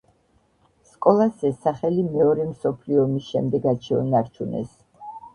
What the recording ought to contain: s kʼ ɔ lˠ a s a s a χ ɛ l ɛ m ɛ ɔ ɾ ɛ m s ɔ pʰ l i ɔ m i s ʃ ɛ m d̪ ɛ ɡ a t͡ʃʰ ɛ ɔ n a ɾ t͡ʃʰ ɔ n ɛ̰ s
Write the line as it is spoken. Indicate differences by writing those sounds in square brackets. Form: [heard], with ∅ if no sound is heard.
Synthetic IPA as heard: s kʼ ɔ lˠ a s [ɛ] s a χ ɛ l [i] m ɛ ɔ ɾ ɛ m s ɔ pʰ l i ɔ m i s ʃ ɛ m d̪ ɛ ɡ a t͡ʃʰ ɛ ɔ n a ɾ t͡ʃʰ [u] n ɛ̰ s

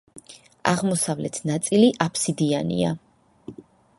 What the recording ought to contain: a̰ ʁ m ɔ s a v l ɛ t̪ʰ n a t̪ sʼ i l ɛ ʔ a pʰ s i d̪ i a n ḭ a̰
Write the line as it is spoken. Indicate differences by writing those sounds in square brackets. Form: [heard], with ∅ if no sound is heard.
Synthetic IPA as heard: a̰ ʁ m ɔ s a v l ɛ t̪ʰ n a t̪ sʼ i l [i] ʔ a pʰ s i d̪ i a n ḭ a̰

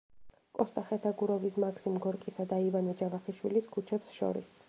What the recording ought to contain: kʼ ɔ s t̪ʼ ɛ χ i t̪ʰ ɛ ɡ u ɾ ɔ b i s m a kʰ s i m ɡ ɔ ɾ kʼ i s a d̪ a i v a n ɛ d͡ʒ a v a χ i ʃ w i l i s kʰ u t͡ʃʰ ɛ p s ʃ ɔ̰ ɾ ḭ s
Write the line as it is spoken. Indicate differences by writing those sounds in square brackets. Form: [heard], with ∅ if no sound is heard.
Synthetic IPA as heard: kʼ ɔ s t̪ʼ [a] χ [ɛ] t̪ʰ [a] ɡ u ɾ ɔ [v] i s m a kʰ s i m ɡ ɔ ɾ kʼ i s a d̪ a i v a n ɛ d͡ʒ a v a χ i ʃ w i l i s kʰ u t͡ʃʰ ɛ p s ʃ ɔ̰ ɾ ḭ s

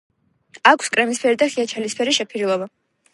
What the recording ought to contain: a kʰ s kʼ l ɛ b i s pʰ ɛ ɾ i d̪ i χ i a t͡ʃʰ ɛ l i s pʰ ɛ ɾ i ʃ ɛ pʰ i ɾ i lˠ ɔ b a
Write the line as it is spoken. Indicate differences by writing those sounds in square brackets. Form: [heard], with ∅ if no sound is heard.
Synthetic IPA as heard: a kʰ s kʼ [ɾ] ɛ [m] i s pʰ ɛ ɾ i d̪ [a] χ i a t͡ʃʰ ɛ l i s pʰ ɛ ɾ i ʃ ɛ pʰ i ɾ i lˠ ɔ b a

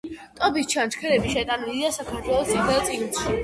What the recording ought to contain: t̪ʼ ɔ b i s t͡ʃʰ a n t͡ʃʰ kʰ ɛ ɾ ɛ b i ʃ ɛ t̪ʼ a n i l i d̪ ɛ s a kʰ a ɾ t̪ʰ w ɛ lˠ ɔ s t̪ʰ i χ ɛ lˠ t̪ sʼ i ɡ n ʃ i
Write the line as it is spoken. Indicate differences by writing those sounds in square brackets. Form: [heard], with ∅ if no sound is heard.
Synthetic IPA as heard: t̪ʼ ɔ b i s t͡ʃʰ a n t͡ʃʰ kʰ ɛ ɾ ɛ b i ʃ ɛ t̪ʼ a n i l i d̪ [a] s a kʰ a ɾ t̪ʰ w ɛ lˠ ɔ s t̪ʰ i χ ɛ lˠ t̪ sʼ i ɡ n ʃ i

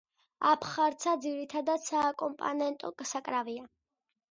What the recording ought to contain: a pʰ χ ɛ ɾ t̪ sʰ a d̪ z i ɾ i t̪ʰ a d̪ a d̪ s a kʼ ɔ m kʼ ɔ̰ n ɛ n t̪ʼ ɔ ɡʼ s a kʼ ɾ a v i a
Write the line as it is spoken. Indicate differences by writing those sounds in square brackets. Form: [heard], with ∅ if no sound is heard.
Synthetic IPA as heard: a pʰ χ [a] ɾ t̪ sʰ a d̪ z i ɾ i t̪ʰ a d̪ a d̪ s a kʼ ɔ m [pʼ] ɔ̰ n ɛ n t̪ʼ ɔ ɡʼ s a kʼ ɾ a v i a

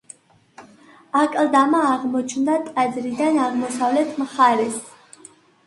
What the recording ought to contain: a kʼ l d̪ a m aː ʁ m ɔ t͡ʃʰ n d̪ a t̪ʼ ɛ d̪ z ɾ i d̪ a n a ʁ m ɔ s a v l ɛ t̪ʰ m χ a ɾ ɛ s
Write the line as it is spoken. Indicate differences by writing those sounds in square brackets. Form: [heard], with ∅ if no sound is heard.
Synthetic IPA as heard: a kʼ l d̪ a m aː ʁ m ɔ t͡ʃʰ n d̪ a t̪ʼ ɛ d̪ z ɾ i d̪ a n a ʁ m ɔ s a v l ɛ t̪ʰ m χ a ɾ ɛ s

